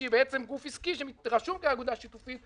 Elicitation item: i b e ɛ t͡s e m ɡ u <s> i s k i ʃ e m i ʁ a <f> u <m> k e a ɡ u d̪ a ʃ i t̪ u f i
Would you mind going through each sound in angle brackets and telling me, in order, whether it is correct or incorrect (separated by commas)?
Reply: incorrect, incorrect, correct